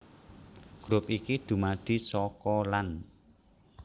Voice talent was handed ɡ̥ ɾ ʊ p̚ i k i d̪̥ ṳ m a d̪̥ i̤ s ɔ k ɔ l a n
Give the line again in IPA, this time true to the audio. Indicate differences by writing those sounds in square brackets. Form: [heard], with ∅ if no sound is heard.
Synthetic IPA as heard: ɡ̥ ɾ ʊ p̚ i k i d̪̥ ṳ m a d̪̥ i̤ s ɔ k ɔ l a n